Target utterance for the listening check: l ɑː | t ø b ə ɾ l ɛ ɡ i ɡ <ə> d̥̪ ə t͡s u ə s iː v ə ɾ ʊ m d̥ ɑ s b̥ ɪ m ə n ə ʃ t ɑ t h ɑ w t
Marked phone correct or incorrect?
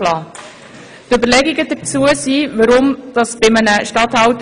correct